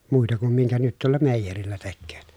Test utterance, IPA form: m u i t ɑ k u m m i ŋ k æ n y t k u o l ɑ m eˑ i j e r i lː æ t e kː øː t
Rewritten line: m u i t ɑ k u m m i ŋ k æ n y t t u o lː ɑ m eˑ i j e r i lː æ t e kː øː t

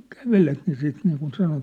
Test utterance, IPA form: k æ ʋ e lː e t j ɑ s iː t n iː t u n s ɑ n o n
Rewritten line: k æ ʋ e l e t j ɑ s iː t n iː k u n s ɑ n o n

